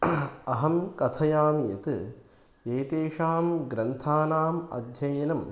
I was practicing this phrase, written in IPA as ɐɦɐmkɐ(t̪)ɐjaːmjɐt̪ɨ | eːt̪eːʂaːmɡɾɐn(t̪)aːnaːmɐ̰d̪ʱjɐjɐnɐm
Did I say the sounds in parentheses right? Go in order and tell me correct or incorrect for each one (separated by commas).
incorrect, incorrect